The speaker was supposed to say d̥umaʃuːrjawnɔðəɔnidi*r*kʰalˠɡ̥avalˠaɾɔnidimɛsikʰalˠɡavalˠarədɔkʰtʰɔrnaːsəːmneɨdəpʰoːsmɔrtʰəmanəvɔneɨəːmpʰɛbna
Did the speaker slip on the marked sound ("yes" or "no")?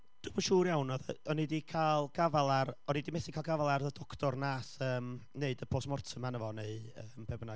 yes